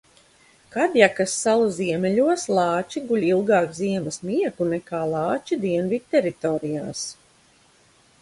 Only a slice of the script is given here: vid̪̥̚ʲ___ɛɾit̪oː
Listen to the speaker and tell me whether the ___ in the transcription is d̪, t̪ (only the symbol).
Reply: t̪